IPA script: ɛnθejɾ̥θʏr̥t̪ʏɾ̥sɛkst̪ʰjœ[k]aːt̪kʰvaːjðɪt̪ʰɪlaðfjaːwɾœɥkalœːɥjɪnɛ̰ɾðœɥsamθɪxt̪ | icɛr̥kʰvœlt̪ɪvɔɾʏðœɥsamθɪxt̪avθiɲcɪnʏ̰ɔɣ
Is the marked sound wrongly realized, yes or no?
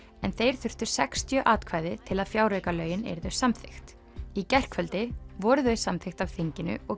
yes